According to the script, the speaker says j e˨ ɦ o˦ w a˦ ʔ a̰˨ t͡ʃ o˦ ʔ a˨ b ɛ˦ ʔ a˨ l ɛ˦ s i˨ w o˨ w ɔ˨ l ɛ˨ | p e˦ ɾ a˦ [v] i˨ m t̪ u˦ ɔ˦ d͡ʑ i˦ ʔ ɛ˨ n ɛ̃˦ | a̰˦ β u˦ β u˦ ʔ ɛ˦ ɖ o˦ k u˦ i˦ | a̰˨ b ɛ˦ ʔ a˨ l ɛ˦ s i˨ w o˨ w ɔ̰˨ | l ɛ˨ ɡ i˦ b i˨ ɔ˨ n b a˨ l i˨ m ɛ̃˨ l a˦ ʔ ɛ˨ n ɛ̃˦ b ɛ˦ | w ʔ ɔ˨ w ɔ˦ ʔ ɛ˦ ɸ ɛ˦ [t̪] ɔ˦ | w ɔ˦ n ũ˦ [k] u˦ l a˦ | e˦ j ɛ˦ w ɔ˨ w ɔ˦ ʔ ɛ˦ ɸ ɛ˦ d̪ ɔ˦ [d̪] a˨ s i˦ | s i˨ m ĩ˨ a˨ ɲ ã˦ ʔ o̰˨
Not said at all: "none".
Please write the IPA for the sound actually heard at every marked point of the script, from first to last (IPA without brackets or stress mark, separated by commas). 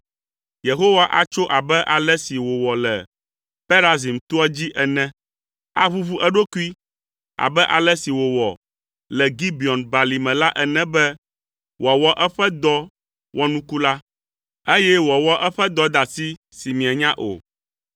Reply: z, d̪, k, d̪